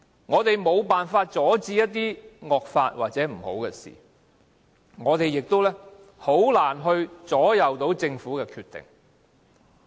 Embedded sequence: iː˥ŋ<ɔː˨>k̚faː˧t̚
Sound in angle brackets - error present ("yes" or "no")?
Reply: no